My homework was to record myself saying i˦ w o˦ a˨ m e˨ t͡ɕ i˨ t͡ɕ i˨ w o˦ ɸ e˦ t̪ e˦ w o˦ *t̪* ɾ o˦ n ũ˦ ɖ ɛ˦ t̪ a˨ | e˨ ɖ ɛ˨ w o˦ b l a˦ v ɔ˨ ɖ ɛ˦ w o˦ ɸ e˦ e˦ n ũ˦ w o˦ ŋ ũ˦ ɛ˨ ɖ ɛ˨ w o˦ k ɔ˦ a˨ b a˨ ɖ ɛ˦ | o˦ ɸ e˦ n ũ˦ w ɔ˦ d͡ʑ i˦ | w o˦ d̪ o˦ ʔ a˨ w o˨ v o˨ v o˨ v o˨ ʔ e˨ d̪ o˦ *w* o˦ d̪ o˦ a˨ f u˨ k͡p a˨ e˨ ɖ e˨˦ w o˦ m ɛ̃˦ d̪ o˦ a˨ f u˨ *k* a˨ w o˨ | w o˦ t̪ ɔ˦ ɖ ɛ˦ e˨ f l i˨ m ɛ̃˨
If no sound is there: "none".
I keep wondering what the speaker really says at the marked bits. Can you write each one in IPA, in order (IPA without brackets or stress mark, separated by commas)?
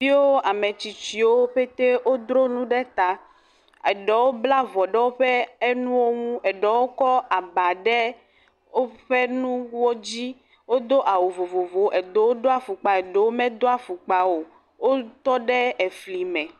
d̪, w, k͡p